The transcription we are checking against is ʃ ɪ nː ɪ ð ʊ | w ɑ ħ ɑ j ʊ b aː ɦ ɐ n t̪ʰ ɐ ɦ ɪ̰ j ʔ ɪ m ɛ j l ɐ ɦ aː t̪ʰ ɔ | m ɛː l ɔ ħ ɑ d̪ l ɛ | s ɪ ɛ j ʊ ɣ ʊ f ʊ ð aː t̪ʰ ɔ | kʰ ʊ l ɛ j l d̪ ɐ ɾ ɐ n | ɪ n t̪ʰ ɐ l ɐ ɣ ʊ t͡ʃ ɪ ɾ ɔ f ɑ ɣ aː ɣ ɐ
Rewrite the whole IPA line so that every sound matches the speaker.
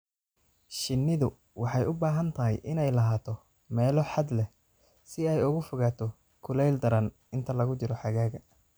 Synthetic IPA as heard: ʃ ɪ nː ɪ ð ʊ | w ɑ ħ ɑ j ʊ b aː ɦ ɐ n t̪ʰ ɐ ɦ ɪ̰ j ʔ ɪ n ɛ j l ɐ ɦ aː t̪ʰ ɔ | m ɛː l ɔ ħ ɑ d̪ l ɛ | s ɪ ɛ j ʊ ɣ ʊ f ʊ ɣ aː t̪ʰ ɔ | kʰ ʊ l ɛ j l d̪ ɐ ɾ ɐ n | ɪ n t̪ʰ ɐ l ɐ ɣ ʊ t͡ʃ ɪ ɾ ɔ ħ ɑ ɣ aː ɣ ɐ